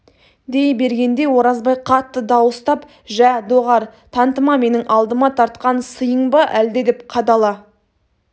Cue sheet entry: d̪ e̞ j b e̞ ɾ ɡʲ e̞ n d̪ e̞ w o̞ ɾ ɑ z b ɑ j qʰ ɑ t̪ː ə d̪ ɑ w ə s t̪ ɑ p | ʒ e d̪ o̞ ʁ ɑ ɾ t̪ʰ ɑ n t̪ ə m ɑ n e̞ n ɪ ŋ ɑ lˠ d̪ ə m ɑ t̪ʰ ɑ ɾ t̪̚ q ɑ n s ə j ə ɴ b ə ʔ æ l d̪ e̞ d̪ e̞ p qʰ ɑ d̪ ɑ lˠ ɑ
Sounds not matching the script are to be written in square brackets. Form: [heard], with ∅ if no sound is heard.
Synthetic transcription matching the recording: d̪ e̞ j b e̞ ɾ ɡʲ e̞ n d̪ e̞ w o̞ ɾ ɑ z b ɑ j qʰ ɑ t̪ː ə d̪ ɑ w ə s t̪ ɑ p | ʒ [æ] d̪ o̞ ʁ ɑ ɾ t̪ʰ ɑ n t̪ ə m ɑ [m] e̞ n ɪ ŋ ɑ lˠ d̪ ə m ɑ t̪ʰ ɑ ɾ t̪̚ q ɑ n s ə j ə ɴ b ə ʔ æ l d̪ e̞ d̪ e̞ p qʰ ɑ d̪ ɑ lˠ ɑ